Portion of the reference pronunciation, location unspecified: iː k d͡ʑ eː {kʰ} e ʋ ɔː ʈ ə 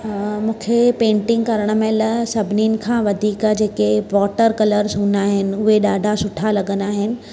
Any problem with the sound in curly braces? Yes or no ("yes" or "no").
yes